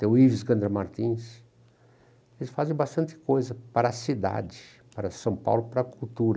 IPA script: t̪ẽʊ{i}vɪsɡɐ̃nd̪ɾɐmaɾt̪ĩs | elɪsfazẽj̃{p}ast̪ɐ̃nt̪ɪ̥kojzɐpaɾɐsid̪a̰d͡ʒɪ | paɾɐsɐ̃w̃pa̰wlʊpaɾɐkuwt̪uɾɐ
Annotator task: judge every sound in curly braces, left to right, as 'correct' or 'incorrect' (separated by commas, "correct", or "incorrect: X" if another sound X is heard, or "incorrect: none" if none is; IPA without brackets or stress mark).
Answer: correct, incorrect: b